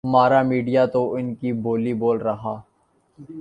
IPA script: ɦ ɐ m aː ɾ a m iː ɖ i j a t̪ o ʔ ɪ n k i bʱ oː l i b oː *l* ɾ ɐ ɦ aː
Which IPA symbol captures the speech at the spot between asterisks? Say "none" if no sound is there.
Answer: l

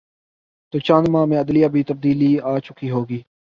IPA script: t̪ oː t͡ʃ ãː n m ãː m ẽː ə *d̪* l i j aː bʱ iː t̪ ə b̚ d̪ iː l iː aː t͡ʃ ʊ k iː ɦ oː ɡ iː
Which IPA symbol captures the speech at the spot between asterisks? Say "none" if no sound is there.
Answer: d̪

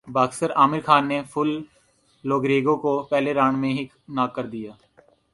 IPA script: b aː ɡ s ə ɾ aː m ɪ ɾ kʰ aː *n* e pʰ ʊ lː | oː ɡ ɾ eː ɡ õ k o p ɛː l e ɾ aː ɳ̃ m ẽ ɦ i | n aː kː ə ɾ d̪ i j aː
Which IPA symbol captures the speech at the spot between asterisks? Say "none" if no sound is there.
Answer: nː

